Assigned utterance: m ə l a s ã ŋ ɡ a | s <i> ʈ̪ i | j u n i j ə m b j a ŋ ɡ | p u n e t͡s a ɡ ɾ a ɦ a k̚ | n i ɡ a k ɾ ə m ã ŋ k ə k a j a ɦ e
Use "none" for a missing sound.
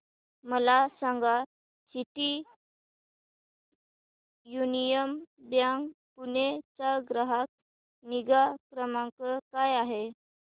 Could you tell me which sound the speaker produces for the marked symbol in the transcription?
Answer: i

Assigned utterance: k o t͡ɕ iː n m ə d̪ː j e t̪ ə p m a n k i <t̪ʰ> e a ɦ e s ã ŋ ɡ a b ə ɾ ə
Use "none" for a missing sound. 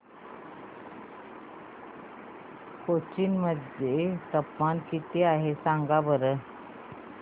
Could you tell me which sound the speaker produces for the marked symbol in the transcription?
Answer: t̪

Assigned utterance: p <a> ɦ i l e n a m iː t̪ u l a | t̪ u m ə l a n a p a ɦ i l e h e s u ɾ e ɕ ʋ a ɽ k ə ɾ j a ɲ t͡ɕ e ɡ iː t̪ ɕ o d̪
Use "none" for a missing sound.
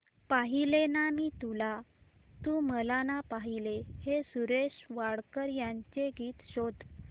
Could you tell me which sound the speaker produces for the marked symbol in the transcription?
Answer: a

